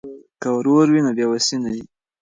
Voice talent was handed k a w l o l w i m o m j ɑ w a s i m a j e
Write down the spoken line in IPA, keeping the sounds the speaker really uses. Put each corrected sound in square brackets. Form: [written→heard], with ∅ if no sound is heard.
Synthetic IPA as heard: k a w [l→ɾ] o [l→ɾ] w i [m→n] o [m→b] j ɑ w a s i [m→n] a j [e→i]